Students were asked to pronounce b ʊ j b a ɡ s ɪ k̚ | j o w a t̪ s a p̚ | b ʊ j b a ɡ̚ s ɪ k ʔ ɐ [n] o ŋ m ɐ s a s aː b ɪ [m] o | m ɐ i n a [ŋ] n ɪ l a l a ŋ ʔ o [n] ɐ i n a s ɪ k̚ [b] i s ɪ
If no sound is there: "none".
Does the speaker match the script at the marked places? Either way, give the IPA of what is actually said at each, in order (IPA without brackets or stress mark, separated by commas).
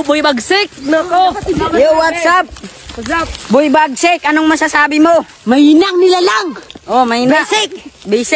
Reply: n, m, ŋ, m, b